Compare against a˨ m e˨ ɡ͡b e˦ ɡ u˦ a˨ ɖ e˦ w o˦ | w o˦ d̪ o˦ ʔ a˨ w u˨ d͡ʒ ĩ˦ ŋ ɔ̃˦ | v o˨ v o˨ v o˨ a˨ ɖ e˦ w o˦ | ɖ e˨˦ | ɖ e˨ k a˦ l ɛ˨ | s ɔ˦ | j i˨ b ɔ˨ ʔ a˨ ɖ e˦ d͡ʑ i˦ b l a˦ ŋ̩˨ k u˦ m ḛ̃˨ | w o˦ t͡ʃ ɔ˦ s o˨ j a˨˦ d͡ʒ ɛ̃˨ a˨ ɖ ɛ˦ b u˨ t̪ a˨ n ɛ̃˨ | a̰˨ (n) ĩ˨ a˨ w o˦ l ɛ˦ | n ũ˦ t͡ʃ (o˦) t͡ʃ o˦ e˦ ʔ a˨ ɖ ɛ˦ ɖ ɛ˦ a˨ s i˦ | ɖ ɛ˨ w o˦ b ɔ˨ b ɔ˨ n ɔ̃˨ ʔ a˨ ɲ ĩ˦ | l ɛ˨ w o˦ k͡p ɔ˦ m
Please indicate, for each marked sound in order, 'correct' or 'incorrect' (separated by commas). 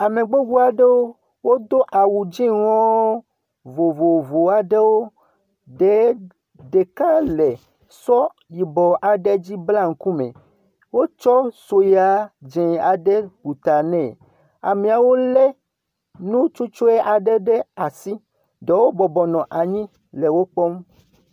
incorrect, incorrect